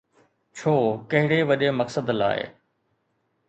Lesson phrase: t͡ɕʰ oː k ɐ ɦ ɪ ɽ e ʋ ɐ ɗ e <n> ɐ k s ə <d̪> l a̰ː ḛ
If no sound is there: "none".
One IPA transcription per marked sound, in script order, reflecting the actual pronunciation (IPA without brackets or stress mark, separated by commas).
m, d̪